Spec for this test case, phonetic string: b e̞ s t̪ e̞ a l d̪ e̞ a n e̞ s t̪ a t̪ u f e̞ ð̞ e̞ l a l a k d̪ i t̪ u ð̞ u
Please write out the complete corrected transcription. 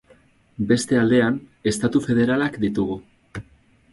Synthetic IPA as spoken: b e̞ s t̪ e̞ a l d̪ e̞ a n e̞ s t̪ a t̪ u f e̞ ð̞ e̞ ɾ a l a k d̪ i t̪ u ɣ̞ u